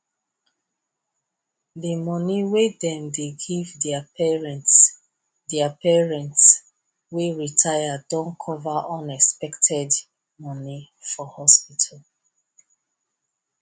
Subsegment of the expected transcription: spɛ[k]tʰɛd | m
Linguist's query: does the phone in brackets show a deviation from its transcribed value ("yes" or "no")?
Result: no